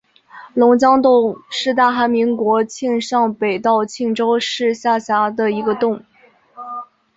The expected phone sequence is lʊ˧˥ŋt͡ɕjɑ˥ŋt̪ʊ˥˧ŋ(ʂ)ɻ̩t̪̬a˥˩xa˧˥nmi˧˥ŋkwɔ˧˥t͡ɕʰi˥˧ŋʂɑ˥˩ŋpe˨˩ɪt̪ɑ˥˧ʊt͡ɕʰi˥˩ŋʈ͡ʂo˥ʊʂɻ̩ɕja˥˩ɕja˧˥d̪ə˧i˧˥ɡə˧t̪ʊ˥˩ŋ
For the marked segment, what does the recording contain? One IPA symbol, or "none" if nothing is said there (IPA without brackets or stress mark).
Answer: ʂ